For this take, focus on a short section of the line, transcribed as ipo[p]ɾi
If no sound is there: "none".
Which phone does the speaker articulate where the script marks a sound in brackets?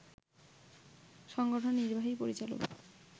none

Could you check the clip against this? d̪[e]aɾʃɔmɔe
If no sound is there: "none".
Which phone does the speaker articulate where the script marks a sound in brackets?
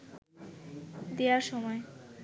e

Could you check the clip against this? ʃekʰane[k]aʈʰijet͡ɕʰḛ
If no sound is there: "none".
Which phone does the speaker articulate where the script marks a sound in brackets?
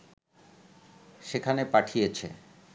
p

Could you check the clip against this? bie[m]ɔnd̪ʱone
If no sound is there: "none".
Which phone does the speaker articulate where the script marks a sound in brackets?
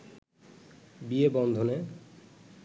b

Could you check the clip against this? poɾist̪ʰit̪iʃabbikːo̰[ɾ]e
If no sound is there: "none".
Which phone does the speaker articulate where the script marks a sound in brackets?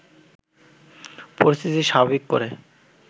ɾ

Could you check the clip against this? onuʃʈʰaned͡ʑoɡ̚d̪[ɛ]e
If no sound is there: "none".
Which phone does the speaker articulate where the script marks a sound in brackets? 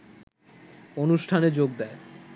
ɛ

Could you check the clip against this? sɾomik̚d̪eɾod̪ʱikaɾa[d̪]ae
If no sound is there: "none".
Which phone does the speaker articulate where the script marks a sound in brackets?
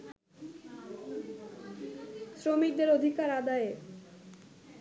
d̪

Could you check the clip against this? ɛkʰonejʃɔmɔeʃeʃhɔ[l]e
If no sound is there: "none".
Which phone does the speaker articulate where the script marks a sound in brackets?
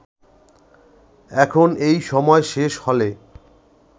l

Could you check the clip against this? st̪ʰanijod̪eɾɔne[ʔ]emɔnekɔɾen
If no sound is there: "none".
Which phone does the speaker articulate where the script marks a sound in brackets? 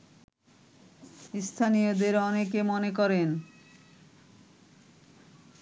k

